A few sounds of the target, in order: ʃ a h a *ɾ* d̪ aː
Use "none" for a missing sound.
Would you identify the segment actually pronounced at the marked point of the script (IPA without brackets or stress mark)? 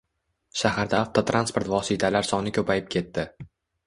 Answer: ɾ